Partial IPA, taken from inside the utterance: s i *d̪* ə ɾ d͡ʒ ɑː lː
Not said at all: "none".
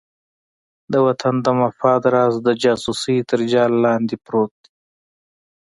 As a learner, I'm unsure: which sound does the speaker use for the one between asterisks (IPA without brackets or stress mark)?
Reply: t̪